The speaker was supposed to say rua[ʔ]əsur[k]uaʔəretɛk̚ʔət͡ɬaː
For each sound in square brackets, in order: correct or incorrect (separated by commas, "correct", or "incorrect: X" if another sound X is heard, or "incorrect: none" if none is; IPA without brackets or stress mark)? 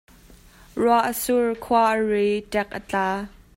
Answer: correct, incorrect: kʰ